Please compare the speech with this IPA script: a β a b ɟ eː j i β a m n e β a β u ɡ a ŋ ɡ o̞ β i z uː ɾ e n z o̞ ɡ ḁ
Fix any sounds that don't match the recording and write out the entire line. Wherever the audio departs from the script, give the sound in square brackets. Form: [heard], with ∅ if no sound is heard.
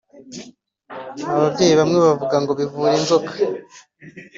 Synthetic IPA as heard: a β a b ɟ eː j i β a m [ŋ] e β a [v] u ɡ a ŋ ɡ o̞ β i [v] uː ɾ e n z o̞ [k] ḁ